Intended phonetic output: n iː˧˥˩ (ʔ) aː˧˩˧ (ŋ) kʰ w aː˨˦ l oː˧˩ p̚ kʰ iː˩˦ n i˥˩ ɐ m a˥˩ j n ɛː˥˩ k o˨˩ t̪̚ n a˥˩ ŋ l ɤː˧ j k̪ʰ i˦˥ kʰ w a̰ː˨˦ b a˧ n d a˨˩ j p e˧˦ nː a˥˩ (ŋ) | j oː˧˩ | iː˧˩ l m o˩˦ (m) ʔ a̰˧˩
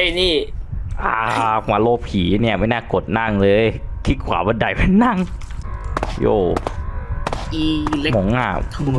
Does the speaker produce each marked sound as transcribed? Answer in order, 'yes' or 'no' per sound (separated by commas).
yes, no, yes, no